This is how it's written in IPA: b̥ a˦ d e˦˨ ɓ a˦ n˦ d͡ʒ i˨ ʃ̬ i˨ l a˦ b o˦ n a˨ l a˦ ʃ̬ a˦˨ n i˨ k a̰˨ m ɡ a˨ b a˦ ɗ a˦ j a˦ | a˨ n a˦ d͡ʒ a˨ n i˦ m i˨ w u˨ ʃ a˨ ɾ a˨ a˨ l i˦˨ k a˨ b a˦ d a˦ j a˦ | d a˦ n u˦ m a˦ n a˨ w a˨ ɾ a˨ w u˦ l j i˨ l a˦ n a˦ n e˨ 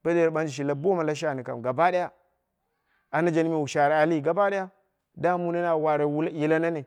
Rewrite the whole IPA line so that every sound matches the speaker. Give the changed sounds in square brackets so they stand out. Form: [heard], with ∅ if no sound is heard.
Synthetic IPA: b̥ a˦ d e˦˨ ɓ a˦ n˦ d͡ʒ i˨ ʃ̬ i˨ l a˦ b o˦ [m] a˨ l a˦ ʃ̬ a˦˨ n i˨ k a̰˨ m ɡ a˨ b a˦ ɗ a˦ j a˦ | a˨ n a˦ d͡ʒ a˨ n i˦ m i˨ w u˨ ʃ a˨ ɾ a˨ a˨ l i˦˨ [ɡ] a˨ b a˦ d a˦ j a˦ | d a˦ [m] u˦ [n] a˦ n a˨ w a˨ ɾ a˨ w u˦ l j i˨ l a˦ n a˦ n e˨